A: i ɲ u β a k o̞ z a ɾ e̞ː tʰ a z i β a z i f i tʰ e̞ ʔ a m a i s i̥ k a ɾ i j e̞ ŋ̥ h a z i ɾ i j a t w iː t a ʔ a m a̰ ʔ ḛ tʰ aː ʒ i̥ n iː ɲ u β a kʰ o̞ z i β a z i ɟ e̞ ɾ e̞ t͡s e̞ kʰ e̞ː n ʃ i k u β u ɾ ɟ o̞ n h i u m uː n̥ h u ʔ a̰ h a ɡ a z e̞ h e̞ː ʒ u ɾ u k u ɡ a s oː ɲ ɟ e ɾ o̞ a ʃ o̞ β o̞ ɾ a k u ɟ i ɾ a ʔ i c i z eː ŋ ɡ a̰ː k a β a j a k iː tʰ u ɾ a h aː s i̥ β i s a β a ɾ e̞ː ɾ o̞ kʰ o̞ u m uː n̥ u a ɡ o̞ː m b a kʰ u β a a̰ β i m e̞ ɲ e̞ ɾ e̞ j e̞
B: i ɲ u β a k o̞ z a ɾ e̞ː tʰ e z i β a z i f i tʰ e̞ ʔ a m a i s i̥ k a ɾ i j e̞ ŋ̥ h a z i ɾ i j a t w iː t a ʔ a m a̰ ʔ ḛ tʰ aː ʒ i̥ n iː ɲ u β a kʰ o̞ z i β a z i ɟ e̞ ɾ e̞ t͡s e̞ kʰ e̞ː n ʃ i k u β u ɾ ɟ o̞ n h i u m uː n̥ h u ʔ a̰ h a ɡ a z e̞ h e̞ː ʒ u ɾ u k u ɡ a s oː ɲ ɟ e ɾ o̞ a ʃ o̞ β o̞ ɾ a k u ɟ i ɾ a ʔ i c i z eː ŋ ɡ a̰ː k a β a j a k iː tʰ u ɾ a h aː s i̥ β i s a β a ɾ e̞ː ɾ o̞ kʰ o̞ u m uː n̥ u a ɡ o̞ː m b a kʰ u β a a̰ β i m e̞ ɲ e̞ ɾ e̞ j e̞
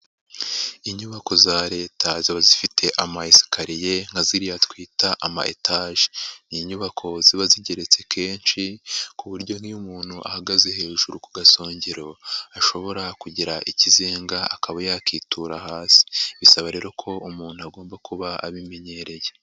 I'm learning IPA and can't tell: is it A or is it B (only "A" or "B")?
A